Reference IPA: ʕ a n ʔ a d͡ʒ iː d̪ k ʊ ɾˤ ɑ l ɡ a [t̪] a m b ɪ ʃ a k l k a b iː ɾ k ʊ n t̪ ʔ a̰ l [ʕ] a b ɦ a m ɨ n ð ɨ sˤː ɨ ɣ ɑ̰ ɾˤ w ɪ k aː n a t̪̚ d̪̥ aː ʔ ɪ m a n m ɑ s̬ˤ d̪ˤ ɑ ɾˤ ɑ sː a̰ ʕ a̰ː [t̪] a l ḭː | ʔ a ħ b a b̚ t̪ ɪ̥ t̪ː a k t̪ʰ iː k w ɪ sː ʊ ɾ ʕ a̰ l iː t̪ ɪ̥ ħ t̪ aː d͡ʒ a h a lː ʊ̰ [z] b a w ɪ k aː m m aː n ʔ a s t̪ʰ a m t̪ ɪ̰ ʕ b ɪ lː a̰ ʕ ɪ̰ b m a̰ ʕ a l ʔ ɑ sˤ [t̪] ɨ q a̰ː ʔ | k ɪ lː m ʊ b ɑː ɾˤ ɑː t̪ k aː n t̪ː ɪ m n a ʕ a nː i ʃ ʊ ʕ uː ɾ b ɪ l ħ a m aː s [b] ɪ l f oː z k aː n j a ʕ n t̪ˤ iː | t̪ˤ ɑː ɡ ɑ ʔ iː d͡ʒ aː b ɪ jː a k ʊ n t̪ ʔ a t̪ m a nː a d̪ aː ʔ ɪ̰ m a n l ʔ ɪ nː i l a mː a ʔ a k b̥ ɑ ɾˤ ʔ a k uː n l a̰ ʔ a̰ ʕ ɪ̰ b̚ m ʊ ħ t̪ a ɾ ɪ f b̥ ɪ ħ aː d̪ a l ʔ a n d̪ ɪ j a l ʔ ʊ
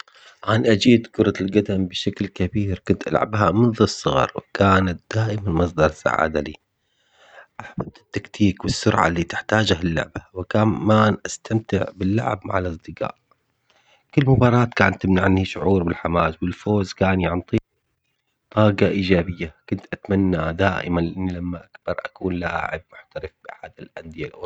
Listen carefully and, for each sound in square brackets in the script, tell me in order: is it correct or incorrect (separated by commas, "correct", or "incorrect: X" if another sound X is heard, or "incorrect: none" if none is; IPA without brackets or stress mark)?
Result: incorrect: d̪, correct, incorrect: d̪, incorrect: ʕ, incorrect: d̪, incorrect: w